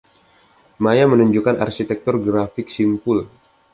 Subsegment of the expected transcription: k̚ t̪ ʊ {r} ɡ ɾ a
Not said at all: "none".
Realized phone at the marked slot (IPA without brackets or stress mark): r